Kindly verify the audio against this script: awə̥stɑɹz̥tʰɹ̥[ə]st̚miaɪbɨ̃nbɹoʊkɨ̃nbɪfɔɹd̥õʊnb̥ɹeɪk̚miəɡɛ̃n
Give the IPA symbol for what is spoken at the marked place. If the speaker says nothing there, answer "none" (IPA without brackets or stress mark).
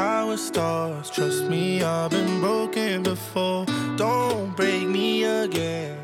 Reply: ʌ